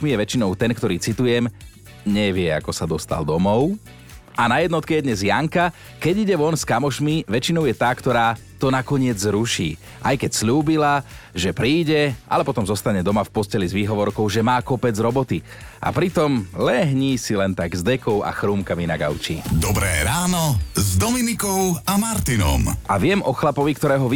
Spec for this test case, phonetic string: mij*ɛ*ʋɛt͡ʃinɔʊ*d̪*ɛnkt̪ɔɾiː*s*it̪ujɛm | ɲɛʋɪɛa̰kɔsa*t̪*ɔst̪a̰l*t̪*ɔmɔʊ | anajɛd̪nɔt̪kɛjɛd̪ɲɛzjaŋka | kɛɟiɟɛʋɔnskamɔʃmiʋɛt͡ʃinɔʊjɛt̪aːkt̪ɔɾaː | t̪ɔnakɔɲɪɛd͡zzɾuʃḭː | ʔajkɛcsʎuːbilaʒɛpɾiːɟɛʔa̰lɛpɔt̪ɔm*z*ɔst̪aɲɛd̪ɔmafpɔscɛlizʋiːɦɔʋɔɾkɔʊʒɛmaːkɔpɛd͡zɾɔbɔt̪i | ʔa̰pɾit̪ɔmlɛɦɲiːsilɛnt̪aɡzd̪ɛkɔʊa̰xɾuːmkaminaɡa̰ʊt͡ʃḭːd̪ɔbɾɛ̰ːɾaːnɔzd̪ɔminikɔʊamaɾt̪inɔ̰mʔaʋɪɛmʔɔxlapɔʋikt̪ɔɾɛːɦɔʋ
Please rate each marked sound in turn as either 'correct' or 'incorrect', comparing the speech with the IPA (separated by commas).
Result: correct, incorrect, incorrect, incorrect, incorrect, correct